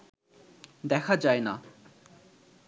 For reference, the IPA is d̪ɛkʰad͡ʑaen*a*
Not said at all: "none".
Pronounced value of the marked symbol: a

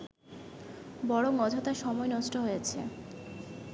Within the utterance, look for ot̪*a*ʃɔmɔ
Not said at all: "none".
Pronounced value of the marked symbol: a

